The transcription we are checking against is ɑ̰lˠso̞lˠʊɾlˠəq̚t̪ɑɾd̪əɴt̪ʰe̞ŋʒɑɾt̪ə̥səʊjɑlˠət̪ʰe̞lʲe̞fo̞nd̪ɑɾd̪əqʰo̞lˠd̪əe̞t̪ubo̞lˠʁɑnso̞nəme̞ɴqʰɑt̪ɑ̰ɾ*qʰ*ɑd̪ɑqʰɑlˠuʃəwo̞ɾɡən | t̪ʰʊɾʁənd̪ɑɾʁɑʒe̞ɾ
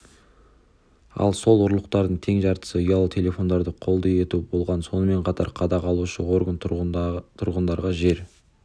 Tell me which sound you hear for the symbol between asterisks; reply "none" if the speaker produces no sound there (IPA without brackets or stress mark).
qʰ